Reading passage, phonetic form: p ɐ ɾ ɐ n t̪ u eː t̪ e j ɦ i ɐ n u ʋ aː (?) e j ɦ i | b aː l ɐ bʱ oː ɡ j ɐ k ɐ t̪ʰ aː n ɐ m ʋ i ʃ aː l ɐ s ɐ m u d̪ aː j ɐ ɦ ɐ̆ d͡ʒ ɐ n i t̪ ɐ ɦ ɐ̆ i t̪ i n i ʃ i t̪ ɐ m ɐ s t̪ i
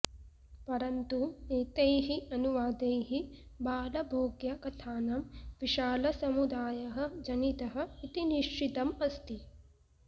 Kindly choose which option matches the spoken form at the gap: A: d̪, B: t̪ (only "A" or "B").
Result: A